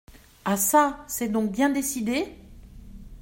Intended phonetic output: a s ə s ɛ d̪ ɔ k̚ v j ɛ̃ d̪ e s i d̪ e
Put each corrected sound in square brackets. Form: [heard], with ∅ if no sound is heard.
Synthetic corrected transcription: a s [a] s ɛ d̪ [ɔ̃] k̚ [b] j ɛ̃ d̪ e s i d̪ e